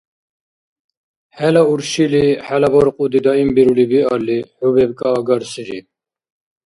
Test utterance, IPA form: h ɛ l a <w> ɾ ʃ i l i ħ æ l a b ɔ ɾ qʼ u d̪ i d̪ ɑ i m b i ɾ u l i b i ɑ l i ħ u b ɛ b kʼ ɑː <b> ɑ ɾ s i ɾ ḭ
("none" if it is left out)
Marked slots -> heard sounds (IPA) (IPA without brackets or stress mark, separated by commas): u, ɡ